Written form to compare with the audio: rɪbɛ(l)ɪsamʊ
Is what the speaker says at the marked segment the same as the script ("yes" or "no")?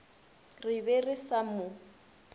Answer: no